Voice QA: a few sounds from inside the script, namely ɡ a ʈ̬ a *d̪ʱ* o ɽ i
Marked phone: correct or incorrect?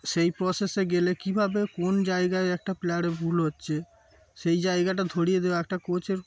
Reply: correct